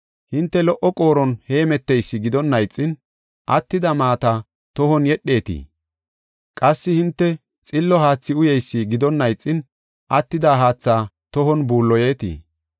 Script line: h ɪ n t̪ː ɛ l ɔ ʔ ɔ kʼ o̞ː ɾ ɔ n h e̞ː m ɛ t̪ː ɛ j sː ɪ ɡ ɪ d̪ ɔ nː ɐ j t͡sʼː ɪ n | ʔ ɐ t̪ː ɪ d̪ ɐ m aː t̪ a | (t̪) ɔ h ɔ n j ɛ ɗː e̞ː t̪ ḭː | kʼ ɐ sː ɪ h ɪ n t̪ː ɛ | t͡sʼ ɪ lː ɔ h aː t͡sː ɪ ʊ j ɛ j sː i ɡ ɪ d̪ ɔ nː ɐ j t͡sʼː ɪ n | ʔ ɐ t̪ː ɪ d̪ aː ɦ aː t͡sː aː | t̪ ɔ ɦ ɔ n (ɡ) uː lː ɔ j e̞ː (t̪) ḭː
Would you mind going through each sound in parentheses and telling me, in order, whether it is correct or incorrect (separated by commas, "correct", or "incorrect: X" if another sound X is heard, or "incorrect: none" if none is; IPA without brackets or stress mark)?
correct, incorrect: b, correct